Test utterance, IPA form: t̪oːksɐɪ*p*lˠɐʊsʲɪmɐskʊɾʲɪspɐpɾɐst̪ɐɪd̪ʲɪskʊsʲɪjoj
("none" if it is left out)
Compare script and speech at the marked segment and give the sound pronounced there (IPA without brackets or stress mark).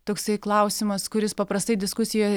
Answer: k